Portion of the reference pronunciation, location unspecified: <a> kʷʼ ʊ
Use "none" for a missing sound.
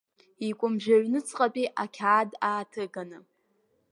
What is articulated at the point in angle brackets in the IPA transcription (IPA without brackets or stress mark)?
i